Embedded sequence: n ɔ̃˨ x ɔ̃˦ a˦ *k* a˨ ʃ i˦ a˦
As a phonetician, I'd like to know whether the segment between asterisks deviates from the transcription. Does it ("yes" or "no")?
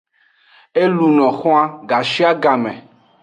yes